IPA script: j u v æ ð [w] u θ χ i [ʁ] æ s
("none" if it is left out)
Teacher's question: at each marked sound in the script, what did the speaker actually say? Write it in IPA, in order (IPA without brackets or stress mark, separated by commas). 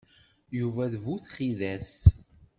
v, ð